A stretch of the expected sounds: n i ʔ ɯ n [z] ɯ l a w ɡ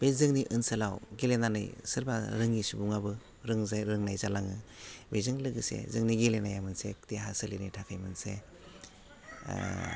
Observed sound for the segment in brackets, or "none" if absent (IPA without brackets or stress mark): s